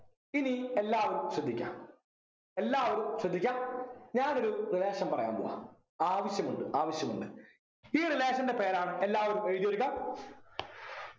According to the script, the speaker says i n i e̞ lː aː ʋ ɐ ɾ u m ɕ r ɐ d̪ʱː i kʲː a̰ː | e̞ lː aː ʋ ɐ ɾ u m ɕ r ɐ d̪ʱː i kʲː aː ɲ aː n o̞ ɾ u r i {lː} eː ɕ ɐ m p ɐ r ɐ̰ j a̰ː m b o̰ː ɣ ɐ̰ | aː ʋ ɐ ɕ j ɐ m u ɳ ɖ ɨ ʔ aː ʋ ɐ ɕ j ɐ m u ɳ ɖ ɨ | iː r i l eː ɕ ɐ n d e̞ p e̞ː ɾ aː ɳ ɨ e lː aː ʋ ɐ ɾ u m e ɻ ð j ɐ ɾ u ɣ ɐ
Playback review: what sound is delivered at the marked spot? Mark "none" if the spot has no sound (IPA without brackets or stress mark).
l